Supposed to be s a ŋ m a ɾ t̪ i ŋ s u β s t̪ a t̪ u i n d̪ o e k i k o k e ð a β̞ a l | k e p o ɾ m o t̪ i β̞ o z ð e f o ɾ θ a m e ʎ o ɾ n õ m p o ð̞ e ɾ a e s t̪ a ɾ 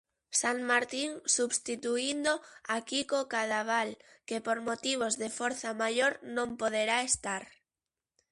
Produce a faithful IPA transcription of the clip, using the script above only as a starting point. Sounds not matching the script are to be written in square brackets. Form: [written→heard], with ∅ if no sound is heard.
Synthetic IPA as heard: s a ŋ m a ɾ t̪ i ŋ s u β s t̪ [a→i] t̪ u i n d̪ o [e→a] k i k o k [e→a] ð a β̞ a l | k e p o ɾ m o t̪ i β̞ o z ð e f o ɾ θ a m [e→a] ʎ o ɾ n õ m p o ð̞ e ɾ a e s t̪ a ɾ